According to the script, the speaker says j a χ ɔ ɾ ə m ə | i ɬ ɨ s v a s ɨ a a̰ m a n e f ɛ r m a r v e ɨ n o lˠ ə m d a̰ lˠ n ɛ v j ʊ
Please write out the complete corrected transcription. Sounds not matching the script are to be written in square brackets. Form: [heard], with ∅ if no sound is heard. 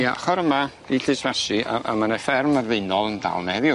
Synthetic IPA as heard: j a χ ɔ ɾ ə m [a] | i ɬ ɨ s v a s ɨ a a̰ m a n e f ɛ r m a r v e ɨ n [ɔ] lˠ ə [n] d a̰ lˠ n ɛ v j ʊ

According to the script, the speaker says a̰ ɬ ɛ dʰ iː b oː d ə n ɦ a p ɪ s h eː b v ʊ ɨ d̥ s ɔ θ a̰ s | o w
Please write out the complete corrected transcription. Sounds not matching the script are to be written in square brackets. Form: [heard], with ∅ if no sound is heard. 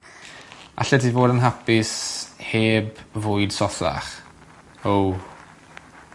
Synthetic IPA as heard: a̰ ɬ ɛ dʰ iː [v] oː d ə n ɦ a p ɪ s h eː b v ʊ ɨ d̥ s ɔ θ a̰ [χ] | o w

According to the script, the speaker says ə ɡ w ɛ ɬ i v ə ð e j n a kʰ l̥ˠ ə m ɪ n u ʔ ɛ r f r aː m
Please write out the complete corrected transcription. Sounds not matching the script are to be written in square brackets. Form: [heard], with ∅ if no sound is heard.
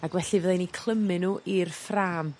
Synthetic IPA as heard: [a] ɡ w ɛ ɬ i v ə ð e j n [i] kʰ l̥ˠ ə m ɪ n u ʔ [i] r f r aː m

